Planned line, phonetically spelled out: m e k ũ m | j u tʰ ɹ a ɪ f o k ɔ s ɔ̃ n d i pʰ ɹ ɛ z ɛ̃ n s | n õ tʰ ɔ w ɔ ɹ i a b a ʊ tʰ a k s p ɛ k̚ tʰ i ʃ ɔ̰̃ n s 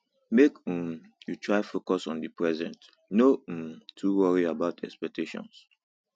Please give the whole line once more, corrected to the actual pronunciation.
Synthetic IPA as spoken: m e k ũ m | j u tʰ ɹ a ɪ f o k ɔ s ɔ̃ n d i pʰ ɹ ɛ z ɛ̃ n t | n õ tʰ u w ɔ ɹ i a b a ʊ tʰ ɛ k s p ɛ k̚ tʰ e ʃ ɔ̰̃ n s